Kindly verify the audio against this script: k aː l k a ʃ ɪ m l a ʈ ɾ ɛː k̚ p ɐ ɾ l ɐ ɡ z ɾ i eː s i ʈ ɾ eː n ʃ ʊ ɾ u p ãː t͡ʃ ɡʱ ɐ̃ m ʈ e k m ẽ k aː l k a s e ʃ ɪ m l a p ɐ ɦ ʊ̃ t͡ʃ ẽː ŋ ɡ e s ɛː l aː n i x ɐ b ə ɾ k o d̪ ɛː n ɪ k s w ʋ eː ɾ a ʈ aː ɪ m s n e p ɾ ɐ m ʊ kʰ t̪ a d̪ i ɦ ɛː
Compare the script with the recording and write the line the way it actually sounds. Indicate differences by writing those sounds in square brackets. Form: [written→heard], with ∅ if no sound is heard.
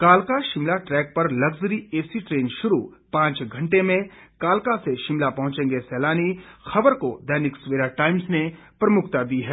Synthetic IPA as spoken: k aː l k a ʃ ɪ m l a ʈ ɾ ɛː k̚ p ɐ ɾ l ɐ ɡ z ɾ i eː s i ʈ ɾ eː n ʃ ʊ ɾ u p ãː t͡ʃ ɡʱ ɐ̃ [m→ɳ] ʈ e [k→∅] m ẽ k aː l k a s e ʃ ɪ m l a p ɐ ɦ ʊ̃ t͡ʃ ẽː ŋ ɡ e s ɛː l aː n i x ɐ b ə ɾ k o d̪ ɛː n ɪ k s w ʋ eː ɾ a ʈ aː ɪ m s n e p ɾ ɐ m ʊ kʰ t̪ a d̪ i ɦ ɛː